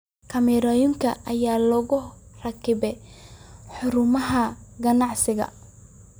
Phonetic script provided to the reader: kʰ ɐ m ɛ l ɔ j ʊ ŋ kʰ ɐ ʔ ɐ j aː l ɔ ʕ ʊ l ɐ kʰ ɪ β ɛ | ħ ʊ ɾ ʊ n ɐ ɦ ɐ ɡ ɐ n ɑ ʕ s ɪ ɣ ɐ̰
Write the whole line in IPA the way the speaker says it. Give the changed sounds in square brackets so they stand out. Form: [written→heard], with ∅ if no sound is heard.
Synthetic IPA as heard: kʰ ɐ m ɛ [l→ɾ] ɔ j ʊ ŋ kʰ ɐ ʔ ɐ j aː l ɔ [ʕ→ɣ] ʊ [l→r] ɐ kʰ ɪ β ɛ | ħ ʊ ɾ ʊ [n→m] ɐ ɦ ɐ ɡ ɐ n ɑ ʕ s ɪ ɣ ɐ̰